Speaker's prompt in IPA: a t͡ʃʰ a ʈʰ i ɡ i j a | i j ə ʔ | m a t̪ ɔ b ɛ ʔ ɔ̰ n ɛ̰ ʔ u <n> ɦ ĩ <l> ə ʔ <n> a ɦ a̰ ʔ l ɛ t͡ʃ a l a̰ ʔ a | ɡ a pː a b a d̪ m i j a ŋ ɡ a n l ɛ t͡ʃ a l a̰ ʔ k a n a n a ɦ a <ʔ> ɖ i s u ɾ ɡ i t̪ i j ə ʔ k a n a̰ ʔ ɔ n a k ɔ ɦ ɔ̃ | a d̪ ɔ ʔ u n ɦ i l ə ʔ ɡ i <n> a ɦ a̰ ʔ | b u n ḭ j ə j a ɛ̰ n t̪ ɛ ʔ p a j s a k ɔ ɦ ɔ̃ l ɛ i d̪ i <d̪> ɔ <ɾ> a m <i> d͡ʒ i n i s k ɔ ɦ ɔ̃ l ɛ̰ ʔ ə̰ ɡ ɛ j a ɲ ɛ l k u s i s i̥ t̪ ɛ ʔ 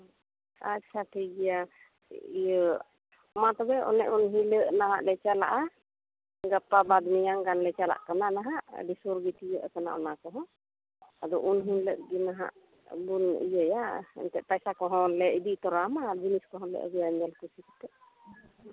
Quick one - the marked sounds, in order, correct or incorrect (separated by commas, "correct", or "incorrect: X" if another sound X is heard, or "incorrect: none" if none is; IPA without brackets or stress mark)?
correct, correct, correct, correct, correct, incorrect: t̪, correct, incorrect: a